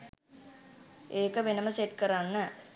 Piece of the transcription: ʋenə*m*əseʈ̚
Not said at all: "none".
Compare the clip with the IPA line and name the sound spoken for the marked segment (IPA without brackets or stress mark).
m